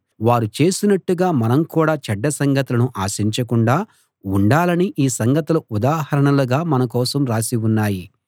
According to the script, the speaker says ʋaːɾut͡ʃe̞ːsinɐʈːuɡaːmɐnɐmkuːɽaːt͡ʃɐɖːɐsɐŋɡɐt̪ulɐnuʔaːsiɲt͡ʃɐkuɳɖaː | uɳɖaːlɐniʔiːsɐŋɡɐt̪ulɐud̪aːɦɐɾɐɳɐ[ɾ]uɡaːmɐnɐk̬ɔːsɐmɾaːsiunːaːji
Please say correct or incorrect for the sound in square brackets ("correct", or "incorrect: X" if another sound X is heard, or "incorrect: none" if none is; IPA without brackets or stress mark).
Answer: incorrect: l